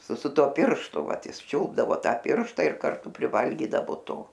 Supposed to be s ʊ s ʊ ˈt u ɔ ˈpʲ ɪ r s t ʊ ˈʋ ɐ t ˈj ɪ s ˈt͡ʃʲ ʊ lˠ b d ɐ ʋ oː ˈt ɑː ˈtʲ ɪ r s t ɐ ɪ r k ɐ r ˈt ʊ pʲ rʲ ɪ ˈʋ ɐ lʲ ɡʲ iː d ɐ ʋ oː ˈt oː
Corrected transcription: s ʊ s ʊ ˈt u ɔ ˈpʲ ɪ r ʃ t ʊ ˈʋ ɐ t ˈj ɪ s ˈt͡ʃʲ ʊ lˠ b d ɐ ʋ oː ˈt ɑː ˈpʲ ɪ r ʃ t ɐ ɪ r k ɐ r ˈt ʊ pʲ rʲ ɪ ˈʋ ɐ lʲ ɡʲ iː d ɐ ʋ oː ˈt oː